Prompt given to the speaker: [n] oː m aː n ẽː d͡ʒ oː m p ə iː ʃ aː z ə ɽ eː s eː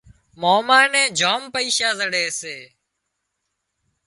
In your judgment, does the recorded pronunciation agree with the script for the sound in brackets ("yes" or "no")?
no